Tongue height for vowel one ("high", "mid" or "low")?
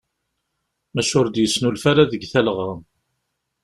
low